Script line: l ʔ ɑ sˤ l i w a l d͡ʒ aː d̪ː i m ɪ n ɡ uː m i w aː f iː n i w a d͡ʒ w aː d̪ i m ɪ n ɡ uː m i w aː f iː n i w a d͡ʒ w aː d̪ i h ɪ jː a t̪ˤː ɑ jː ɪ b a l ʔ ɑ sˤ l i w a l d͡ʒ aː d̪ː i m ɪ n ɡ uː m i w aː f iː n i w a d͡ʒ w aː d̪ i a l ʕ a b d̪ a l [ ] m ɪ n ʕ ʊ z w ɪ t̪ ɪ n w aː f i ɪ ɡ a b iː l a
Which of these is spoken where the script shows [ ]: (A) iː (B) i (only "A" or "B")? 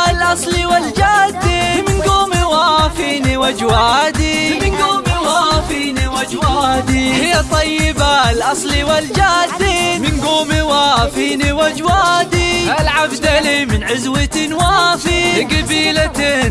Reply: B